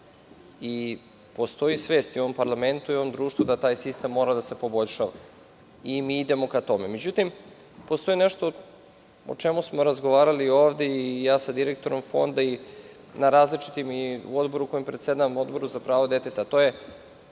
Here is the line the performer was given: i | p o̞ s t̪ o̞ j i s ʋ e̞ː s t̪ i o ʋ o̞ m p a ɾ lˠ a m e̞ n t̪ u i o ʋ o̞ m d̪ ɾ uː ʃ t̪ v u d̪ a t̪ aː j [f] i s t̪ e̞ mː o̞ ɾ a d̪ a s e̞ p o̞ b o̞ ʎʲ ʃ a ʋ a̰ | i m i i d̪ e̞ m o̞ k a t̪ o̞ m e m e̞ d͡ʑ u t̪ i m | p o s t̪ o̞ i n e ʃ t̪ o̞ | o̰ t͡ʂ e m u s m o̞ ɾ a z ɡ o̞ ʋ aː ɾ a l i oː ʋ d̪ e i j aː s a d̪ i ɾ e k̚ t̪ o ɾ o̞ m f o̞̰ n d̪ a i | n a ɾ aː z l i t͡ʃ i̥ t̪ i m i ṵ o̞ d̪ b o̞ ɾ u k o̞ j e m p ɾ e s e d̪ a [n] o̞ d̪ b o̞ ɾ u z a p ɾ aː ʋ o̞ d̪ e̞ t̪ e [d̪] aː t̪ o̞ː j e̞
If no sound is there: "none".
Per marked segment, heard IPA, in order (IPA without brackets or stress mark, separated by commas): s, m, t̪